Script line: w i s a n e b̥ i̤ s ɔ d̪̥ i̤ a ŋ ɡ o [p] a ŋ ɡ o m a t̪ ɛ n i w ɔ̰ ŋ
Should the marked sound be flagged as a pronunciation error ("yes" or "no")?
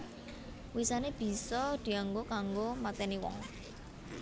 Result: yes